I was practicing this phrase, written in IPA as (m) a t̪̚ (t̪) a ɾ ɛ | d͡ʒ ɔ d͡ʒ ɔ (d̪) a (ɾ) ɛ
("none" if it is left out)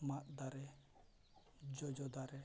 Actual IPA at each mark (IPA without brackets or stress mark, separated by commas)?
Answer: m, d̪, d̪, ɾ